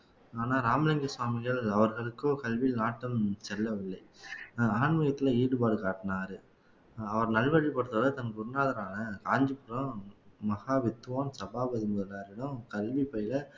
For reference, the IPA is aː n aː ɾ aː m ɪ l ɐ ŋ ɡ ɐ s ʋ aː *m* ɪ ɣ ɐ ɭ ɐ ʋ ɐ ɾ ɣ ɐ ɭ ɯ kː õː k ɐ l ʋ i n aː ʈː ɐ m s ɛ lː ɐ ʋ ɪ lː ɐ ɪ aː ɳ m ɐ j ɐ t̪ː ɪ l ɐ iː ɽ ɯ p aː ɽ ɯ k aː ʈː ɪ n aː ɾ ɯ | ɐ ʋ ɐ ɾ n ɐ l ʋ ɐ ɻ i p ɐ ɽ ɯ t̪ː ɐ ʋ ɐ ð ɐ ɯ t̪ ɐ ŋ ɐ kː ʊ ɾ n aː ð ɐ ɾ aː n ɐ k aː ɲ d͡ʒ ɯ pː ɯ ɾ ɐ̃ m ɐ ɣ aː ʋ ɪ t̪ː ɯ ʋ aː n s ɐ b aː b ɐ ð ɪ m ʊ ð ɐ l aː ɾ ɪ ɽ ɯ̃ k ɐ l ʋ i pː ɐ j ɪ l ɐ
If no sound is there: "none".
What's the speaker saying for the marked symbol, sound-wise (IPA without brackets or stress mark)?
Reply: m